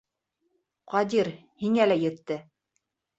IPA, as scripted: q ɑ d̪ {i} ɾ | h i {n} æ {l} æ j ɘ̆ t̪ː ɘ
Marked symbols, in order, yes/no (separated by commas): yes, no, yes